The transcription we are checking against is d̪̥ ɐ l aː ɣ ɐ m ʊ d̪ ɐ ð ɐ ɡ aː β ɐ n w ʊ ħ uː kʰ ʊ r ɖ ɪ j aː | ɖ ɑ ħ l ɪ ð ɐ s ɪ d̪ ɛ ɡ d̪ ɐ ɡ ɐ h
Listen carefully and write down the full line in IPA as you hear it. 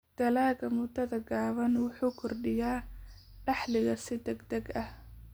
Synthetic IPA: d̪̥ ɐ l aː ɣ ɐ m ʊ d̪ ɐ ð ɐ ɡ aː β ɐ n w ʊ ħ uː kʰ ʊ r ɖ ɪ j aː | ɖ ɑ ħ l ɪ ɣ ɐ s ɪ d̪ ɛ ɡ d̪ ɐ ɡ ɐ h